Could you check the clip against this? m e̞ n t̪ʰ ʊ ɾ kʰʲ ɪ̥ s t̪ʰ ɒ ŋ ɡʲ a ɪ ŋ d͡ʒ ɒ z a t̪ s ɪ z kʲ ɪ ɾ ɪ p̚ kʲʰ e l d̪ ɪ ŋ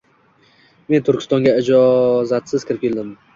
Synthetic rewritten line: m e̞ n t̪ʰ ʊ ɾ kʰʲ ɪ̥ s t̪ ɒ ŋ ɡʲ a ɪ d͡ʒ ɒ z a t̪ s ɪ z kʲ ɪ ɾ ɪ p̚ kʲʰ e l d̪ ɪ m